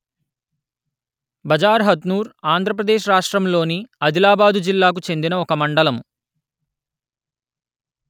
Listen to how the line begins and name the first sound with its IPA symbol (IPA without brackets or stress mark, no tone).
b